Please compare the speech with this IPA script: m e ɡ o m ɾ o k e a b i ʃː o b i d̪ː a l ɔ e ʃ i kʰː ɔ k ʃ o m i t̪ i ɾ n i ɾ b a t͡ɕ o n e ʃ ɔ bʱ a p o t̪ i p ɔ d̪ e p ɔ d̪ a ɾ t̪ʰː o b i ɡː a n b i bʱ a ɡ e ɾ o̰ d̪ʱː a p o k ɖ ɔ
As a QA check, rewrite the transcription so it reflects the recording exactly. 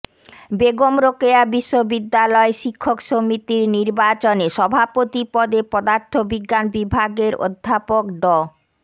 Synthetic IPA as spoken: b e ɡ o m ɾ o k e a b i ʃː o b i d̪ː a l ɔ e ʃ i kʰː o k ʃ o m i t̪ i ɾ n i ɾ b a t͡ɕ o n e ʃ ɔ bʱ a p o t̪ i p ɔ d̪ e p ɔ d̪ a ɾ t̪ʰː o b i ɡː a n b i bʱ a ɡ e ɾ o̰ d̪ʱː a p o k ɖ ɔ